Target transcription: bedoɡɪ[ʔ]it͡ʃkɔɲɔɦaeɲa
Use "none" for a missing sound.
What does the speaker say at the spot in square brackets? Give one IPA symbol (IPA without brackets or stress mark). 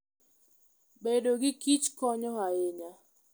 k